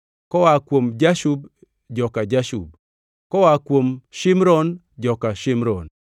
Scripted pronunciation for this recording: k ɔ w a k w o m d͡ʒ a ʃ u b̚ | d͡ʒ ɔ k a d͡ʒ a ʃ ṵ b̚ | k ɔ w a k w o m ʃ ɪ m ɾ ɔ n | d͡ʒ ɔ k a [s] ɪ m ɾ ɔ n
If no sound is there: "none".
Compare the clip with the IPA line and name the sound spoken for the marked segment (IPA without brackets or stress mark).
ʃ